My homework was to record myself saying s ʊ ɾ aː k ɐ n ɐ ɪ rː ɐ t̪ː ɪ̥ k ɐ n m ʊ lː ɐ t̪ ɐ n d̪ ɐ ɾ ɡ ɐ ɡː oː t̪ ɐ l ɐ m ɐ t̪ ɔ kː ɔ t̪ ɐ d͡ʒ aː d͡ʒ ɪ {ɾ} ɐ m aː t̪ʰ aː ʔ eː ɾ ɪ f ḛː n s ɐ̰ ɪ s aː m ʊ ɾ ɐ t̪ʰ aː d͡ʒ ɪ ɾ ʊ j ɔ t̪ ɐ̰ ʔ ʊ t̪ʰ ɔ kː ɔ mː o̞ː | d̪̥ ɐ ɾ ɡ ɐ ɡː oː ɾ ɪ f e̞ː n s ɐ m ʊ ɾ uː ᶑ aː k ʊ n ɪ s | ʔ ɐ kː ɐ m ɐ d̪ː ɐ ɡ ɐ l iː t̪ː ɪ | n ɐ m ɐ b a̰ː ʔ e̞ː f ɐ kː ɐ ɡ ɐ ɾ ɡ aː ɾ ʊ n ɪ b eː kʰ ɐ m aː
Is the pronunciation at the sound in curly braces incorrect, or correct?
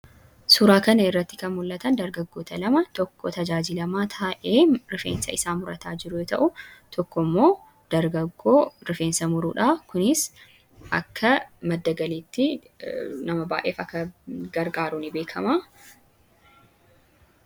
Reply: incorrect